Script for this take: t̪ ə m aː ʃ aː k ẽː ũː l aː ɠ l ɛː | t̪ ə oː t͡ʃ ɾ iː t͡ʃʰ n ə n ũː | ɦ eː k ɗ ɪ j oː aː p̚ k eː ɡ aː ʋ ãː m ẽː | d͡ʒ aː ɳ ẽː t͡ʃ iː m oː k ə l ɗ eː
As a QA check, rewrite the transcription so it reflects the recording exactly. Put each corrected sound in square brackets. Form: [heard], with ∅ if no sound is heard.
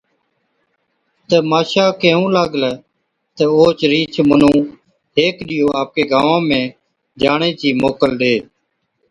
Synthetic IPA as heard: t̪ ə m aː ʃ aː k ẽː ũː l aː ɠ l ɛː | t̪ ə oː t͡ʃ ɾ iː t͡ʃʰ [m] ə n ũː | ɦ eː k ɗ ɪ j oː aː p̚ k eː ɡ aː ʋ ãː m ẽː | d͡ʒ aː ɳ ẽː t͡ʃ iː m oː k ə l ɗ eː